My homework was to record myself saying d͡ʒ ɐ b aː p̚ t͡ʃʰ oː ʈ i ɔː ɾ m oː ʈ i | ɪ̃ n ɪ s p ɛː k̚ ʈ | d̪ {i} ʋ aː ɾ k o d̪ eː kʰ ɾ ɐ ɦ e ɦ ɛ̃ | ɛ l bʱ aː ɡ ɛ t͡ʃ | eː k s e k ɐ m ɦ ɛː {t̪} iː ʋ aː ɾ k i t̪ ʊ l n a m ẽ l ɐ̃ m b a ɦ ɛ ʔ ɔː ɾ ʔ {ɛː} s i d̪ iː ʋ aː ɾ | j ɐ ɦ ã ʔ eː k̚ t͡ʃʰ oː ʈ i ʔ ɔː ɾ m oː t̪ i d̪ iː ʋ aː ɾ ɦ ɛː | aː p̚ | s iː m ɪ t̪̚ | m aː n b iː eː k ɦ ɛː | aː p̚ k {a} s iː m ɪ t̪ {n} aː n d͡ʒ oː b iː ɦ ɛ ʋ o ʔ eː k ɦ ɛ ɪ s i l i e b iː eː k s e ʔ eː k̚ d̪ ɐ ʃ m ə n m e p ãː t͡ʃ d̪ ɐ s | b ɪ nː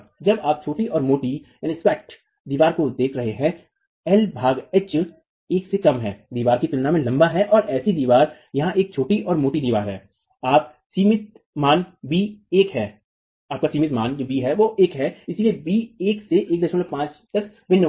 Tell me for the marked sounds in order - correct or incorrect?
incorrect: iː, incorrect: d̪, correct, correct, incorrect: m

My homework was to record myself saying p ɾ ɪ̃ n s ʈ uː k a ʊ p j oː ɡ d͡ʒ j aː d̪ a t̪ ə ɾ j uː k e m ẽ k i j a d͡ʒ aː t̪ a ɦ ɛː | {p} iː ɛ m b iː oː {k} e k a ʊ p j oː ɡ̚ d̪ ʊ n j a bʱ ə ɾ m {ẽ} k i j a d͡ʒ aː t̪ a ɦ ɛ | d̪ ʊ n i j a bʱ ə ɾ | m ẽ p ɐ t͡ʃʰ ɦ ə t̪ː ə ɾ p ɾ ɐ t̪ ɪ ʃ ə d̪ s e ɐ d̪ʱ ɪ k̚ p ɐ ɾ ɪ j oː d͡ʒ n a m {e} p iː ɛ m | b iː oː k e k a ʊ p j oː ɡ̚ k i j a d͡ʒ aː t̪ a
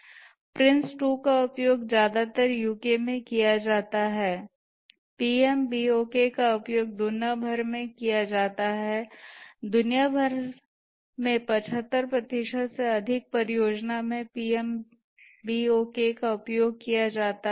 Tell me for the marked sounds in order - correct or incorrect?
correct, correct, correct, incorrect: ẽ

